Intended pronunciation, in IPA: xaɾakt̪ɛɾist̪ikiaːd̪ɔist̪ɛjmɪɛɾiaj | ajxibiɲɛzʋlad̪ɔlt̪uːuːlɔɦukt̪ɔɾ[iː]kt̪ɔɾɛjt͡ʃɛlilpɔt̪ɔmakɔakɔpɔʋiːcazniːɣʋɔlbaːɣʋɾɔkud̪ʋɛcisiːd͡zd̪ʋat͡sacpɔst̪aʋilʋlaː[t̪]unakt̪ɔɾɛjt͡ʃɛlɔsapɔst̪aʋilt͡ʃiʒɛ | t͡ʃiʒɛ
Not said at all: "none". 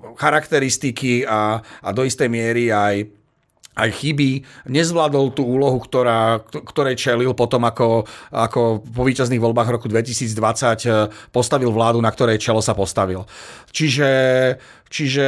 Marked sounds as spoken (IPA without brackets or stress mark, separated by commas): aː, d̪